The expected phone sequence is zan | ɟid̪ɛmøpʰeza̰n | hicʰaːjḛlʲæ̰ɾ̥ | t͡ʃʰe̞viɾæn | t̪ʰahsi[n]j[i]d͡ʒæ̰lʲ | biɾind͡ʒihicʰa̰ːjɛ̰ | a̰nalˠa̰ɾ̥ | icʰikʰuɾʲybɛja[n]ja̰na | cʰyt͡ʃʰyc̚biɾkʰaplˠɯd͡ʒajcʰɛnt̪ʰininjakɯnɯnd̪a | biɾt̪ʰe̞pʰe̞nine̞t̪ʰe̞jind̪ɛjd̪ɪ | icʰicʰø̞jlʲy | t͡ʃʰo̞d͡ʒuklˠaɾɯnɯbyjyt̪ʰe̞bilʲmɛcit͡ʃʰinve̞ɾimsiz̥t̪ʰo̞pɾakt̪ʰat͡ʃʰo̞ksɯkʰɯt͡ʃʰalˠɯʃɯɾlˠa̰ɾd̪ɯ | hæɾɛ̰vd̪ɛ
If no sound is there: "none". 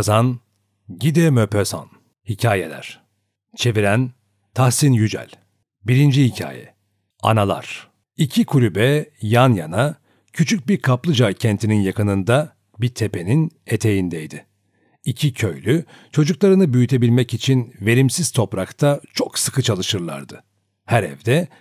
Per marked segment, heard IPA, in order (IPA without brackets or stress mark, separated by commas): n, y, n